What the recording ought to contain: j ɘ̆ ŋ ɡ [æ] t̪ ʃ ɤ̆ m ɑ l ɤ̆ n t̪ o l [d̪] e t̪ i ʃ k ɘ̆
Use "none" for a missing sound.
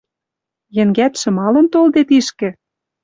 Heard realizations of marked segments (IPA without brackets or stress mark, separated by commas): æ, d̪